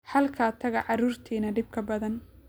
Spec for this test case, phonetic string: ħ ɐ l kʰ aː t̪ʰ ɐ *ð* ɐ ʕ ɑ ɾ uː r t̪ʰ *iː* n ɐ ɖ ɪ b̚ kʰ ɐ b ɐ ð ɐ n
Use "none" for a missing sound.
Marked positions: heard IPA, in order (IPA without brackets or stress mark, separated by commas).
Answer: ɣ, iː